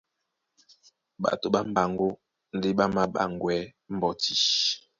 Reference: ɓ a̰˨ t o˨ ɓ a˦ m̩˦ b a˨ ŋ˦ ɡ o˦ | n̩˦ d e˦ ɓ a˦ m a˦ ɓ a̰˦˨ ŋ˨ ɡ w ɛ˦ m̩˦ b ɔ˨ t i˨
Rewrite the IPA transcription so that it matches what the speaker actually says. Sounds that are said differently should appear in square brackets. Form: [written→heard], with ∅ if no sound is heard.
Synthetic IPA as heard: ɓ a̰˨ t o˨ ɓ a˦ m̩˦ b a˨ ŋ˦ ɡ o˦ | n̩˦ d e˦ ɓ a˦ m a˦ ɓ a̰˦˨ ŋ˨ ɡ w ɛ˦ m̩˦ b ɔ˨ t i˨